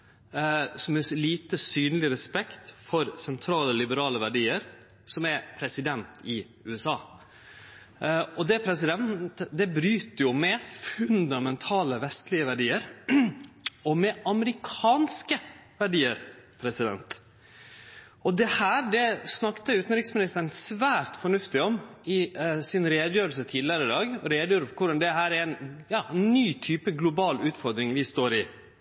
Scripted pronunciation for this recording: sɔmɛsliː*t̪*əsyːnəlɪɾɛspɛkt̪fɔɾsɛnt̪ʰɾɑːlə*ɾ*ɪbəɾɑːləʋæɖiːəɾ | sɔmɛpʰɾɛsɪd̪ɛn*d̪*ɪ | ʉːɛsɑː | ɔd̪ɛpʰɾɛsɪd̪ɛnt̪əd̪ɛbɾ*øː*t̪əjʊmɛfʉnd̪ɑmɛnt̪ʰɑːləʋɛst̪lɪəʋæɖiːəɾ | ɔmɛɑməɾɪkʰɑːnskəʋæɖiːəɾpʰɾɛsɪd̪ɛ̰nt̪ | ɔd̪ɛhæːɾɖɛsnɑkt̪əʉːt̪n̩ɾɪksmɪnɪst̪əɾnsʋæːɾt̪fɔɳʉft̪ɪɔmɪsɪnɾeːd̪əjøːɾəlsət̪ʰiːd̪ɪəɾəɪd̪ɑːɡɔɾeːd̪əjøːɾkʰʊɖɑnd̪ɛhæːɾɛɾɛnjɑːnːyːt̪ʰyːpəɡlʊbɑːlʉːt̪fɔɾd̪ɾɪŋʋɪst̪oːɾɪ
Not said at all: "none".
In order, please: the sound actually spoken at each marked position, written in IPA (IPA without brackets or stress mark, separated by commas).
t̪, l, t̪, yː